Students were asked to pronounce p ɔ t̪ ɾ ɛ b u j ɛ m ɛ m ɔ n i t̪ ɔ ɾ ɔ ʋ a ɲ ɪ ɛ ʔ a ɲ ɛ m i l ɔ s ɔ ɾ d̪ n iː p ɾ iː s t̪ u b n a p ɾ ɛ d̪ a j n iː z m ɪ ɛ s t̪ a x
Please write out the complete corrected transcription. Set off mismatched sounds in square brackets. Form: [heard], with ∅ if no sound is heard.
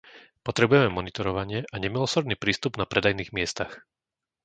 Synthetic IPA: p ɔ t̪ ɾ ɛ b u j ɛ m ɛ m ɔ n i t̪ ɔ ɾ ɔ ʋ a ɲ ɪ ɛ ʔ a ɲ ɛ m i l ɔ s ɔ ɾ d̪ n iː p ɾ iː s t̪ u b n a p ɾ ɛ d̪ a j n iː [ɣ] m ɪ ɛ s t̪ a x